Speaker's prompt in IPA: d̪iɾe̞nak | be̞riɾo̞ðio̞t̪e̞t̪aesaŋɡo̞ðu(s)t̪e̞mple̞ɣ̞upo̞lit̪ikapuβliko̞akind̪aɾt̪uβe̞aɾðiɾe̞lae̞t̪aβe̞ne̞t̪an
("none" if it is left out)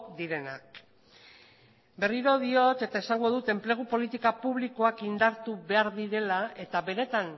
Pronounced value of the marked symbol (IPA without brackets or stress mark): none